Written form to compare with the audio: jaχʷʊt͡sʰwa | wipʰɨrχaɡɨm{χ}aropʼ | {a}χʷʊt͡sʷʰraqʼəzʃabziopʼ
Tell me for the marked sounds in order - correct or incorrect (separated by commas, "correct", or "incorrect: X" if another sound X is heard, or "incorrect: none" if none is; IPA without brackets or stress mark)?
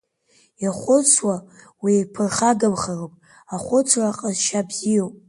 correct, correct